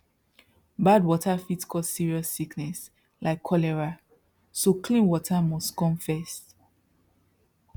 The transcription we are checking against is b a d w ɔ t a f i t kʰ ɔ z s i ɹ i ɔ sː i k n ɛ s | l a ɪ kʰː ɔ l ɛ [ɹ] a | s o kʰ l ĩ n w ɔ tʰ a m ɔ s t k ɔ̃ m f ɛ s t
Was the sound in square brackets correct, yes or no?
yes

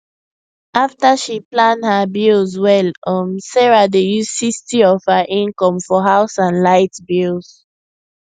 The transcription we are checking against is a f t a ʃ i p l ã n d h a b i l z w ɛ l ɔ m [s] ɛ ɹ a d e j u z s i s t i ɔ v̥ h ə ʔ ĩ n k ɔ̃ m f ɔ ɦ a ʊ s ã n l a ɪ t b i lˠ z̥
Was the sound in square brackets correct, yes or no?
yes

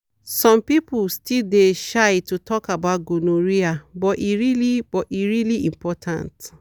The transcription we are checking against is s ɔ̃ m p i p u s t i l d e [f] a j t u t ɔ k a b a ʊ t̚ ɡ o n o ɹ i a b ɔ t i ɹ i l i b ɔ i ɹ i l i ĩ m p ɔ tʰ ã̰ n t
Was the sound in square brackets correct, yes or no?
no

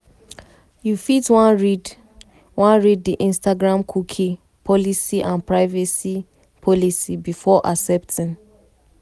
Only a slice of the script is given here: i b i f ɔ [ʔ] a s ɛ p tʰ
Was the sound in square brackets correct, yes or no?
yes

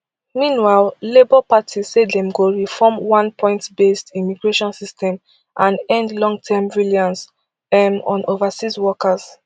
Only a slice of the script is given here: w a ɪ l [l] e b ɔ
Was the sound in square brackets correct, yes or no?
yes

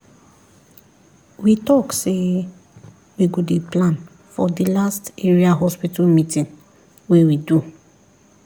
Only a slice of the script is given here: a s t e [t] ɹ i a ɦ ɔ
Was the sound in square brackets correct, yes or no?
no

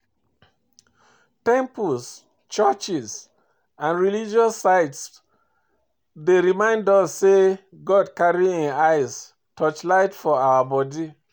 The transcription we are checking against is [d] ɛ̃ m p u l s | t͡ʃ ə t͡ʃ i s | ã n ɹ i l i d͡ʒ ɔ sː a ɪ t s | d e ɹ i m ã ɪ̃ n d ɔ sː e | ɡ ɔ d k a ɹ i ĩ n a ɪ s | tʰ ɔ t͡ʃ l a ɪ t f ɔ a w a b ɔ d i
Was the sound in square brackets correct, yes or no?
no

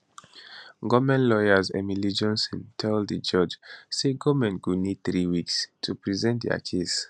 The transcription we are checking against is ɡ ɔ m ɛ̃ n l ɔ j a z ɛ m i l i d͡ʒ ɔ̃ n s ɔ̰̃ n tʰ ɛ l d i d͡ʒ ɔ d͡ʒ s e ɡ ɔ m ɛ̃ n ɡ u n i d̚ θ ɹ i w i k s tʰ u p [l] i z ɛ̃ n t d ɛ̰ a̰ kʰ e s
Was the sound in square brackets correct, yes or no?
no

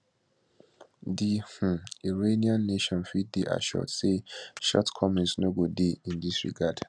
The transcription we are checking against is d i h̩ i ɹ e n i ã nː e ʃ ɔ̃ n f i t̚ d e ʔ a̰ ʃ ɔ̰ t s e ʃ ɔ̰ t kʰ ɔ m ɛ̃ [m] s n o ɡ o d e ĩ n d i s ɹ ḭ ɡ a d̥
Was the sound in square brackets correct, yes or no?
no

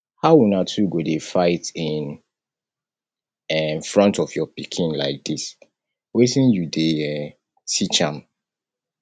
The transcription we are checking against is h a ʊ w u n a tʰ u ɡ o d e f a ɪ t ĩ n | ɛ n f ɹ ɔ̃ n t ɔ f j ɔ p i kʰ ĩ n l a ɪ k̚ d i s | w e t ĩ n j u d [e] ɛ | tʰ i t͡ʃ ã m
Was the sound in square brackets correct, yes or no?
yes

